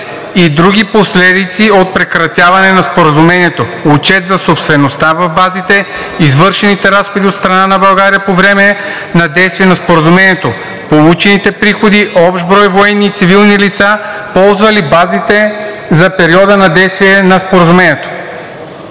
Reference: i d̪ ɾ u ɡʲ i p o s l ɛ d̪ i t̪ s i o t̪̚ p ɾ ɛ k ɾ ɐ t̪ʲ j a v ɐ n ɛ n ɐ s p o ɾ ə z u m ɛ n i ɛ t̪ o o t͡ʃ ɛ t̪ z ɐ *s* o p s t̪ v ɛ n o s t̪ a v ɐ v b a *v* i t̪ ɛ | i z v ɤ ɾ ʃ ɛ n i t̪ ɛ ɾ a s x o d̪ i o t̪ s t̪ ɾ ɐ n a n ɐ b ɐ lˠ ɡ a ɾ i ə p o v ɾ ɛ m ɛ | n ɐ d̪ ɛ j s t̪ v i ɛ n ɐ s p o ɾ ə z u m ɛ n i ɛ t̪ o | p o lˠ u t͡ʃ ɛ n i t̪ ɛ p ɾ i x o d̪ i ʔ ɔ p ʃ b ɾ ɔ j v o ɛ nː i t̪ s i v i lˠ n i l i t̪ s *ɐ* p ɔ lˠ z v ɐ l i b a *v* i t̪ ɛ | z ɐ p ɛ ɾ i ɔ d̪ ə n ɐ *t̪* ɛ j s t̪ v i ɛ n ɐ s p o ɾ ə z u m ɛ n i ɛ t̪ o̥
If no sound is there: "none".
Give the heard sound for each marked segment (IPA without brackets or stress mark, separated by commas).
s, z, a, z, d̪